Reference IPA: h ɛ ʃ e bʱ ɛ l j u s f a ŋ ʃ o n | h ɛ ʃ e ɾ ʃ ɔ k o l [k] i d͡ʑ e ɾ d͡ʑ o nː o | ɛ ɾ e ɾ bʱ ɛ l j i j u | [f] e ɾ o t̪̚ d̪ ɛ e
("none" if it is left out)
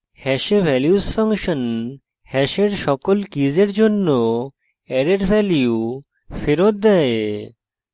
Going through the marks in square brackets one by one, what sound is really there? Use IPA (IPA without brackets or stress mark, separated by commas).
k, f